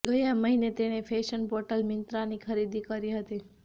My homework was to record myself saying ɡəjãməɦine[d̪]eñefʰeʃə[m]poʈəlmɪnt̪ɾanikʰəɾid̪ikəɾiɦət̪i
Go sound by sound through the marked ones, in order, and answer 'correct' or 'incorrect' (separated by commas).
incorrect, incorrect